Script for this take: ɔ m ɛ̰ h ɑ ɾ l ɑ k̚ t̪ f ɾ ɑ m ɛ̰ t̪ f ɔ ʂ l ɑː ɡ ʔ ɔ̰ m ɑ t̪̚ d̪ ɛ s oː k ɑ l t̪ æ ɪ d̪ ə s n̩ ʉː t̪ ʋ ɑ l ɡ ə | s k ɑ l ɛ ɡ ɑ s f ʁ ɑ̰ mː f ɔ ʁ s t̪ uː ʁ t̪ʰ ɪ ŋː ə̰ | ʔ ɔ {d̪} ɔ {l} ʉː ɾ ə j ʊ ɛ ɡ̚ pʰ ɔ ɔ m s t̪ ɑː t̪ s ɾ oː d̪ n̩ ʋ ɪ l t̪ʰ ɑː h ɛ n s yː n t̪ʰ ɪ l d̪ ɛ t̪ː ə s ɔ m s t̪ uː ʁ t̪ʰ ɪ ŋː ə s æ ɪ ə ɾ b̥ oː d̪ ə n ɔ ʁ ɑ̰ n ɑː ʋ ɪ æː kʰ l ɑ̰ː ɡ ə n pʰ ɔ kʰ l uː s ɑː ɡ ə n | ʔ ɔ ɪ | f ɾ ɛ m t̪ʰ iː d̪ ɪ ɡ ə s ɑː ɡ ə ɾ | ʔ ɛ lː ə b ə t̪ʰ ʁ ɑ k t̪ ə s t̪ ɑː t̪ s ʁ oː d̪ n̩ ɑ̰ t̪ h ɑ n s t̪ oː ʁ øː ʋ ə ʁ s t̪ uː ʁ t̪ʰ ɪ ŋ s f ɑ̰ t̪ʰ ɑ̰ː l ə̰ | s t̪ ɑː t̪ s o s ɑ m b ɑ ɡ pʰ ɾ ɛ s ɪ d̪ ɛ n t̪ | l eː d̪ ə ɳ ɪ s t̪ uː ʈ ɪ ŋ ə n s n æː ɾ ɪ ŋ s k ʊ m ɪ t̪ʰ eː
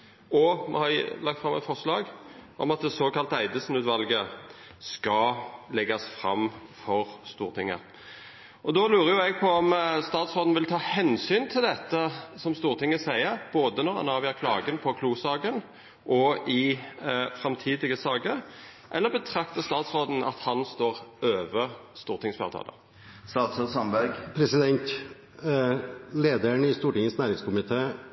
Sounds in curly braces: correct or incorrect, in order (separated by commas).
correct, correct